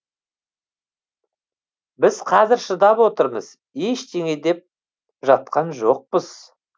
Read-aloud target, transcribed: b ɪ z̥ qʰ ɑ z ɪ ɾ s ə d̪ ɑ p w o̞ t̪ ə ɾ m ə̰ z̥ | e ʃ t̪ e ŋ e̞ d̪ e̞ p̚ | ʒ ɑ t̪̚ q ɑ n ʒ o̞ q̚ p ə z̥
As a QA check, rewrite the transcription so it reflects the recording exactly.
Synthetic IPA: b ɪ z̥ qʰ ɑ z ɪ ɾ ʃ ə d̪ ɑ p w o̞ t̪ ə ɾ m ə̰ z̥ | e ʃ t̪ e ŋ e̞ d̪ e̞ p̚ | ʒ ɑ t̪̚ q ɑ n ʒ o̞ q̚ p ə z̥